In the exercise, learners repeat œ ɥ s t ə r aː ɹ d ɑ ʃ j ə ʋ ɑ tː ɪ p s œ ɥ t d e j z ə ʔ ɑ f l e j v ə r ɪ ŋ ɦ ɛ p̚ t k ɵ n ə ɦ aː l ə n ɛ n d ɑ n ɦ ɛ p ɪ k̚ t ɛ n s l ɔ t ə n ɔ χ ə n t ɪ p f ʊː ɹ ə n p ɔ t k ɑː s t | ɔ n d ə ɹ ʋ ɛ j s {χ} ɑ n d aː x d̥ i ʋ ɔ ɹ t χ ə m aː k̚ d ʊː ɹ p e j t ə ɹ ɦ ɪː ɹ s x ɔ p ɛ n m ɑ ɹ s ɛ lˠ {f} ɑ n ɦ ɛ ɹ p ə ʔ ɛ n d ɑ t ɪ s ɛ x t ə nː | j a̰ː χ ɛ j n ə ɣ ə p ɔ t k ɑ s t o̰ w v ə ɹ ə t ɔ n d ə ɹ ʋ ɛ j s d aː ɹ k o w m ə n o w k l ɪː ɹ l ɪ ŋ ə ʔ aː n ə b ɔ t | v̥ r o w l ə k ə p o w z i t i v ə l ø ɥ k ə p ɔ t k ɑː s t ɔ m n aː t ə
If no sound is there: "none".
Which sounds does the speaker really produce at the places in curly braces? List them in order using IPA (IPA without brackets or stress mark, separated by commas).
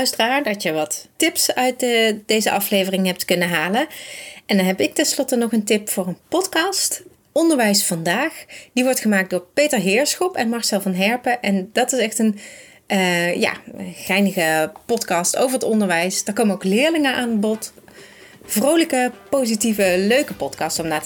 f, v